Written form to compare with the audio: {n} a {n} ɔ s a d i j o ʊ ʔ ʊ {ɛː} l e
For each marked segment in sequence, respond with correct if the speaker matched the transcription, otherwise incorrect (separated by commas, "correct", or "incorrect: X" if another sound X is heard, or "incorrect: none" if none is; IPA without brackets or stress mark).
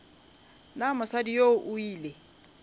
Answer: correct, incorrect: m, incorrect: iː